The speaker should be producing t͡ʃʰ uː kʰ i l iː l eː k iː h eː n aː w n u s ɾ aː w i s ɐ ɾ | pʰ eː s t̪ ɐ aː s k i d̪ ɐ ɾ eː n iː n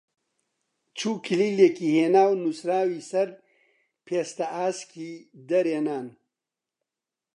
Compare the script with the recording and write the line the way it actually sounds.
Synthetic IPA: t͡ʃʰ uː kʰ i l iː l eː k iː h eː n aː w n u s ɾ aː w i s ɐ ɾ | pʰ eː s t̪ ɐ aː s k i d̪ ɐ ɾ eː n aː n